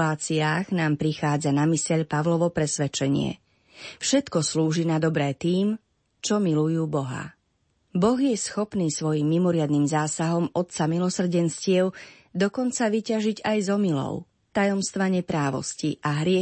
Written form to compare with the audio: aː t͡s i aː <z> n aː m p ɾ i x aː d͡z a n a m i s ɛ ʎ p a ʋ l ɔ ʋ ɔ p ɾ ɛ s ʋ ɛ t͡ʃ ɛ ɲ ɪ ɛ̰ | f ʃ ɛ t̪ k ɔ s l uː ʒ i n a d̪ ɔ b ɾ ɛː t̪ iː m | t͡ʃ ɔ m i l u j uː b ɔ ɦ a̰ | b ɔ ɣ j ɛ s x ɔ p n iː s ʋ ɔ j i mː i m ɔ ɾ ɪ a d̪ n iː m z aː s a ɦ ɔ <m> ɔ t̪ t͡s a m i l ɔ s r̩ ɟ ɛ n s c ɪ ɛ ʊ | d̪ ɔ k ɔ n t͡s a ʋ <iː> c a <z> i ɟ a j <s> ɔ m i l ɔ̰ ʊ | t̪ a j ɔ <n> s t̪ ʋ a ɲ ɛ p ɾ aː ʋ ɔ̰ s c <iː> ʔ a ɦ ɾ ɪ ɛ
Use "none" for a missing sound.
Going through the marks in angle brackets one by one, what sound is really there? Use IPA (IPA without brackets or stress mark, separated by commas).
ɣ, m, i, ʒ, z, m, i